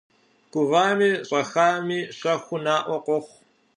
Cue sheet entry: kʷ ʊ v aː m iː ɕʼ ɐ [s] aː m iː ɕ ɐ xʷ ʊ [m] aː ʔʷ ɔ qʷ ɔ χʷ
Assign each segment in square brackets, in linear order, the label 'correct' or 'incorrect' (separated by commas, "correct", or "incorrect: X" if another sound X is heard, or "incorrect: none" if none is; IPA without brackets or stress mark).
incorrect: x, incorrect: n